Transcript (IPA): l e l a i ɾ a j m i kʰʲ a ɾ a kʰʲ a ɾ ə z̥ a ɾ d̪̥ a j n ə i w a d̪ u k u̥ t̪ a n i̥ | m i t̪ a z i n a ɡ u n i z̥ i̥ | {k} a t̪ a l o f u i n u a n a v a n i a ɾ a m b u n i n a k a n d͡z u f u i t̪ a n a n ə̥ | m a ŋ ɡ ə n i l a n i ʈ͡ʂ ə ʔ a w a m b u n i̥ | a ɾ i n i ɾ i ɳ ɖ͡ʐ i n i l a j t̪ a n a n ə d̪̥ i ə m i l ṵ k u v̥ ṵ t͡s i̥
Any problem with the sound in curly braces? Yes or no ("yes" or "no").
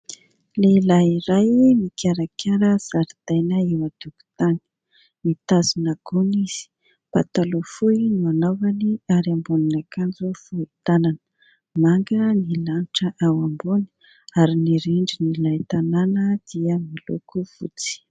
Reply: yes